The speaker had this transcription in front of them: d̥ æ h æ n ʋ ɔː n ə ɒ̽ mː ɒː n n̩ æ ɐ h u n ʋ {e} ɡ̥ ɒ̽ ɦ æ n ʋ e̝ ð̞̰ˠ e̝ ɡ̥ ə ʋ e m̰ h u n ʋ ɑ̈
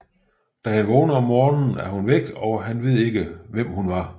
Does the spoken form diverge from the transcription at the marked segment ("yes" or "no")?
no